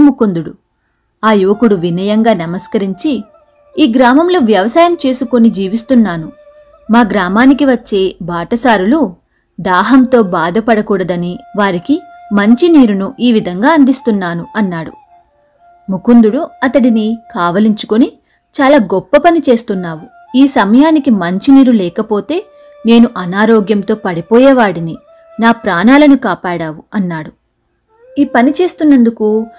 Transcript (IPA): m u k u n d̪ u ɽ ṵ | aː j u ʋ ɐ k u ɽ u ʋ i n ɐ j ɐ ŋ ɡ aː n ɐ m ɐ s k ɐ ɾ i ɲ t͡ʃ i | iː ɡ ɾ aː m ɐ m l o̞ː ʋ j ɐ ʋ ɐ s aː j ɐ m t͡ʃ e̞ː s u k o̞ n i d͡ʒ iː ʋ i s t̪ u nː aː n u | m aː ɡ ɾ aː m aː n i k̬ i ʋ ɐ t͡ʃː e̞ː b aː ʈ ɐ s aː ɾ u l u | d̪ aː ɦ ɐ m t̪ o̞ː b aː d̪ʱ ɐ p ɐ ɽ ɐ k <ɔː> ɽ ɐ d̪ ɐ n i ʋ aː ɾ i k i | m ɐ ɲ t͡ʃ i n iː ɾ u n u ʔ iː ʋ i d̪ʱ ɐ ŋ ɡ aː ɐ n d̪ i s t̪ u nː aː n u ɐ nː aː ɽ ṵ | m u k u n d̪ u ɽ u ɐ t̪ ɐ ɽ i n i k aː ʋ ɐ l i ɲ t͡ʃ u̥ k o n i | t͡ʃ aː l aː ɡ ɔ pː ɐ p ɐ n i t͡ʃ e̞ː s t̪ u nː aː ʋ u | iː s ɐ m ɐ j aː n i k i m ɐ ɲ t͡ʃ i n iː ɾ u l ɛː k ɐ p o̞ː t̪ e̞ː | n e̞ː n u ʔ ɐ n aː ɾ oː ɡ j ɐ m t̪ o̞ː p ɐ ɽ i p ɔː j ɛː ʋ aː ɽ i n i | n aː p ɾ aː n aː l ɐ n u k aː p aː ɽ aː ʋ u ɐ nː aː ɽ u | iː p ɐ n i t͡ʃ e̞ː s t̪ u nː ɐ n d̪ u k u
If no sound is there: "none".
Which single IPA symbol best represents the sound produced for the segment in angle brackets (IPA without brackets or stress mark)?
uː